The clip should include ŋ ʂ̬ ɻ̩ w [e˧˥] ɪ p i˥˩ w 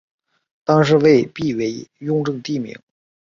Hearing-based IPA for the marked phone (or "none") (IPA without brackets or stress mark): e˥˧